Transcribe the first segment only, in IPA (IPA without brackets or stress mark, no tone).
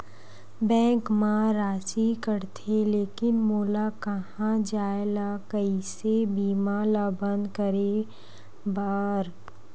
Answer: b